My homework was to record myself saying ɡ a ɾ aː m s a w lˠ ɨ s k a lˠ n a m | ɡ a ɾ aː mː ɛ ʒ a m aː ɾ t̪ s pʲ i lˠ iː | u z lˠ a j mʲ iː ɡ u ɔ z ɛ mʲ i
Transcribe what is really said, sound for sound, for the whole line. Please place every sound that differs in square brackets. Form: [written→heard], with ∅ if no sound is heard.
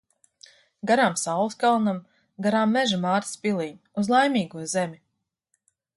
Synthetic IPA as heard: ɡ a ɾ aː m s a w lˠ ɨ s k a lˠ n a m | ɡ a ɾ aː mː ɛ ʒ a m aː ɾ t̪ s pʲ i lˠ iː | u z lˠ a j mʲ iː ɡ u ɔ z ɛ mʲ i